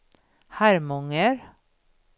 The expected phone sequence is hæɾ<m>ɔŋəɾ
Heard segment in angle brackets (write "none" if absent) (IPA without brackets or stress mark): m